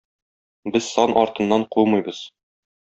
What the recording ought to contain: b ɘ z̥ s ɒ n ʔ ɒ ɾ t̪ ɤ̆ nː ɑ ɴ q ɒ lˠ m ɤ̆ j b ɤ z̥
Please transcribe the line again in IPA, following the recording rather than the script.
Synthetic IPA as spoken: b ɘ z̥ s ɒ n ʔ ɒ ɾ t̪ ɤ̆ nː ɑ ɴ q u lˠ m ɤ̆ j b ɤ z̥